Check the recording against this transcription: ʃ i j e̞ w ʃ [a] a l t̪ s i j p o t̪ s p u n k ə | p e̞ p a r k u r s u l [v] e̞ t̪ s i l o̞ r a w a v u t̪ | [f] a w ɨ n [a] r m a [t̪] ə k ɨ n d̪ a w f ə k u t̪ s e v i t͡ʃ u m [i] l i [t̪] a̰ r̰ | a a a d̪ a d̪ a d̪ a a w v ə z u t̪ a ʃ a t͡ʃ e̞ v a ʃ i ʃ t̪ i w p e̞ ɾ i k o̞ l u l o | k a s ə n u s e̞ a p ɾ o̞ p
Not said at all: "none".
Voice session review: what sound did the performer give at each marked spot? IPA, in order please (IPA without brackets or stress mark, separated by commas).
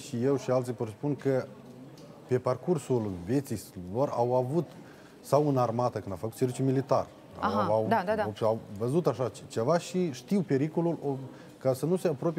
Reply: i, v, s, a, t̪, i, t̪